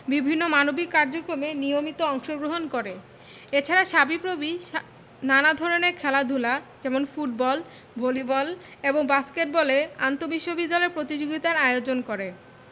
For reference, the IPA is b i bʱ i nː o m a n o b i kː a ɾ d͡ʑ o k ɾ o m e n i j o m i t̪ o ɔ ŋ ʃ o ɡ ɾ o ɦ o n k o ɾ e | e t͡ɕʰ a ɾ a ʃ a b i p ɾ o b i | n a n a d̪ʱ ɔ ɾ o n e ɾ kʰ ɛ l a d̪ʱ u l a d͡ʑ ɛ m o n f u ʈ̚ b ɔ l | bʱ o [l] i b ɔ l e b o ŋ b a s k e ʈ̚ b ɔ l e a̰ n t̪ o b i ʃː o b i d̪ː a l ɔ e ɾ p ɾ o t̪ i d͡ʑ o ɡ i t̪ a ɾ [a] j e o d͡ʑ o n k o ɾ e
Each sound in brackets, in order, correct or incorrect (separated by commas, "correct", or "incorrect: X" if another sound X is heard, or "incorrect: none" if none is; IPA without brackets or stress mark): correct, correct